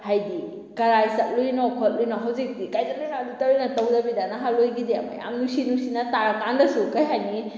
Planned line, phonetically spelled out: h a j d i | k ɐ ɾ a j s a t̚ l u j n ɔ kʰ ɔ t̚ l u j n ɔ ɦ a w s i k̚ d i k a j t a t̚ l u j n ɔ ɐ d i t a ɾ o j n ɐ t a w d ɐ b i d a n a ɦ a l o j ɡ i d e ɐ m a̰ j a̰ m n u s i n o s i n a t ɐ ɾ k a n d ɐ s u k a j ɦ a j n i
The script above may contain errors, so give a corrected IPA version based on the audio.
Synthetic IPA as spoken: h a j d i | k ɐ ɾ a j s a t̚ l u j n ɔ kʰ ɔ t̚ l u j n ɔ ɦ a w z i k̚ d i k a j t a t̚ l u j n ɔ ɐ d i t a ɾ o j n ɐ t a w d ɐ b i d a n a ɦ a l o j ɡ i d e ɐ m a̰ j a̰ m n u s i n u s i n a t a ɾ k a n d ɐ s u k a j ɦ a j n i